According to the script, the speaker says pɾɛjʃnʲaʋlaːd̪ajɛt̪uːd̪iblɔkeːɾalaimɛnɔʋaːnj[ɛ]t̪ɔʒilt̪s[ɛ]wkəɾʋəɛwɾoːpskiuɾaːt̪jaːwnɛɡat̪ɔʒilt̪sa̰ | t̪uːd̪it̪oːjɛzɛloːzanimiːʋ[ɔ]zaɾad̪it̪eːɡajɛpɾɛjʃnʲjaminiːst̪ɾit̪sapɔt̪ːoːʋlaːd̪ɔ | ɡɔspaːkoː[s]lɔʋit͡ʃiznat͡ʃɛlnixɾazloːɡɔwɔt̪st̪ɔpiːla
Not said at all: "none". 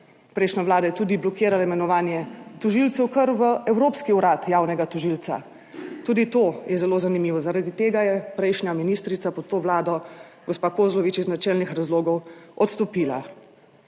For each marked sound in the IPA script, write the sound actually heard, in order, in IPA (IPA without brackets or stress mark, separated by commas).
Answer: ɛ, ɛ, ɔ, z